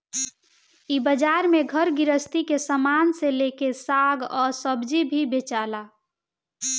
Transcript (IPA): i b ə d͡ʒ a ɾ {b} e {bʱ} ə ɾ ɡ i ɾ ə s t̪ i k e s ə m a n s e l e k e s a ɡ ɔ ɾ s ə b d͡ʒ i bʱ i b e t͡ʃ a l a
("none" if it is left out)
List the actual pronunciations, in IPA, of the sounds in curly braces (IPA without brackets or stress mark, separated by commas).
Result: m, ɡʱ